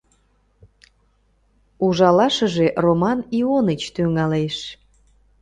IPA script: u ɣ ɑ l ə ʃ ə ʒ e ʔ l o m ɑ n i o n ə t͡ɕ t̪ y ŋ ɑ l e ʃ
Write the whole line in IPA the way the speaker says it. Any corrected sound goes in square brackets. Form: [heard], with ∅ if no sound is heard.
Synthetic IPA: u [ʒ] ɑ l [ɑ] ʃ ə ʒ e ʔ [r] o m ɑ n i o n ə t͡ɕ t̪ y ŋ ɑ l e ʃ